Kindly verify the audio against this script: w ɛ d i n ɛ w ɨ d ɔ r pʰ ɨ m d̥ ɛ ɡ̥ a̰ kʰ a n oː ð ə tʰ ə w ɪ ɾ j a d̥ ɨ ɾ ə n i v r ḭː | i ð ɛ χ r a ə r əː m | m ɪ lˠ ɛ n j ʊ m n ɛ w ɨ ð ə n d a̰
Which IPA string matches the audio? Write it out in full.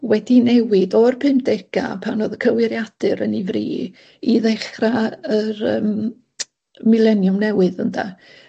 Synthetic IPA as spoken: w ɛ d i n ɛ w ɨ d ɔ r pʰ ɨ m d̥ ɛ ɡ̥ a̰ pʰ a n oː ð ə kʰ ə w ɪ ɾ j a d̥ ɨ ɾ ə n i v r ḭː | i ð ɛ χ r a ə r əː m | m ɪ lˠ ɛ n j ʊ m n ɛ w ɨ ð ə n d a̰

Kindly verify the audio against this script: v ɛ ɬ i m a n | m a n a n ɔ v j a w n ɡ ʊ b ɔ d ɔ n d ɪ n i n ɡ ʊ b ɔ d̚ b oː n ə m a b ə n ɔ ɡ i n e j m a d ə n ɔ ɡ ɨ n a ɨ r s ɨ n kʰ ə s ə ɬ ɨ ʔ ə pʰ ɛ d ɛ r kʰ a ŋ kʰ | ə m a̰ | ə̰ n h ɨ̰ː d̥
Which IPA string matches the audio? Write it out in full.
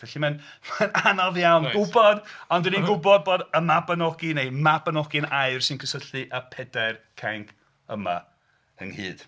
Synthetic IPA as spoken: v ɛ ɬ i m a n | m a n a n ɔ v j a w n ɡ ʊ b ɔ d ɔ n d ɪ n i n ɡ ʊ b ɔ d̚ b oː d ə m a b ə n ɔ ɡ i n e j m a b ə n ɔ ɡ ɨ n a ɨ r s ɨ n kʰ ə s ə ɬ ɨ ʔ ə pʰ ɛ d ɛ r kʰ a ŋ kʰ | ə m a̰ | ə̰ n h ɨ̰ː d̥

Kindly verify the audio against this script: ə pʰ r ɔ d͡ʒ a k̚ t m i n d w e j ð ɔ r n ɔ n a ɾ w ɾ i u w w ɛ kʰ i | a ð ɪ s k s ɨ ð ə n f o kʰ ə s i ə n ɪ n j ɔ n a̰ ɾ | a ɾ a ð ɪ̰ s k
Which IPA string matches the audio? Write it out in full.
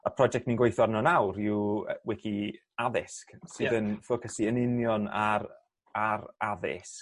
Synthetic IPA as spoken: ə pʰ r ɔ d͡ʒ ɛ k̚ t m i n ɡ w e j θ ɔ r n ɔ n a w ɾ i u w w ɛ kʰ i | a ð ɪ s k s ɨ ð ə n f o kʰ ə s i ə n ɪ n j ɔ n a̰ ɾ | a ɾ a ð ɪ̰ s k

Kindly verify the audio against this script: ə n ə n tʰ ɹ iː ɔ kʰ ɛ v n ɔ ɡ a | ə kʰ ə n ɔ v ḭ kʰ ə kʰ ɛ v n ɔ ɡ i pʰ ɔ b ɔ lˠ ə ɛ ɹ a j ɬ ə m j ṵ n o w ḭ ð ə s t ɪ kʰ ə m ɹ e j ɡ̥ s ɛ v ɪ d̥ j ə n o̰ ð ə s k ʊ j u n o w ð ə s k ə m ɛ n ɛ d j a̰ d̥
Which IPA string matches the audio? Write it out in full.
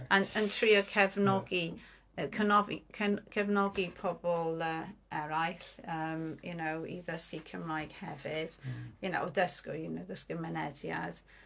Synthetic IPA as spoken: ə n ə n tʰ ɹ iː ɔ kʰ ɛ v n ɔ ɡ i | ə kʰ ə n ɔ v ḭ kʰ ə kʰ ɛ v n ɔ ɡ i pʰ ɔ b ɔ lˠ ə ɛ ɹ a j ɬ ə m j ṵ n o w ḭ ð ə s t i kʰ ə m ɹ a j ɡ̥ h ɛ v ɪ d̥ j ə n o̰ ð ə s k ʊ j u n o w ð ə s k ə m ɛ n ɛ d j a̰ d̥

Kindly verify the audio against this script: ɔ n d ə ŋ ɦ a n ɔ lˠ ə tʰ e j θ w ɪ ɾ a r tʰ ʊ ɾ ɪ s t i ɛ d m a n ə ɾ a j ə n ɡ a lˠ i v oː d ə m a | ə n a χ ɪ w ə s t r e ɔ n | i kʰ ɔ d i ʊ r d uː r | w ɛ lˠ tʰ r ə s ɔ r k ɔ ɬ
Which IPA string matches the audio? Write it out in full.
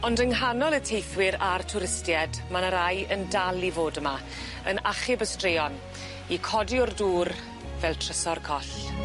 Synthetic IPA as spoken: ɔ n d ə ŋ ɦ a n ɔ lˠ ə tʰ e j θ w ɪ ɾ a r tʰ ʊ ɾ ɪ s t j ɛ d m a n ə ɾ a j ə n d a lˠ i v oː d ə m a | ə n a χ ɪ b ə s t r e ɔ n | i kʰ ɔ d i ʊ r d uː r | v ɛ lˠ tʰ r ə s ɔ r kʰ ɔ ɬ

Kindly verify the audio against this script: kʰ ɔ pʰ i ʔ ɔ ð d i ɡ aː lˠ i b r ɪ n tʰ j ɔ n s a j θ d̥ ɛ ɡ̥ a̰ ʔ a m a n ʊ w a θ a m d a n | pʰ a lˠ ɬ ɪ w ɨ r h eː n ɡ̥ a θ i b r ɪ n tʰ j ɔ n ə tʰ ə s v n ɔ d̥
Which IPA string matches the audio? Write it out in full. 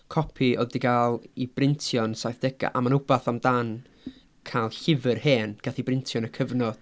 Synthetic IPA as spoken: kʰ ɔ pʰ i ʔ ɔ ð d i ɡ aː lˠ i b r ɪ n tʰ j ɔ n s a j θ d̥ ɛ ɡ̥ a̰ ʔ a m a n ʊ b a θ a m d a n | kʰ a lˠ ɬ ɪ v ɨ r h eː n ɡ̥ a θ i b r ɪ n tʰ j ɔ n ə kʰ ə v n ɔ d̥

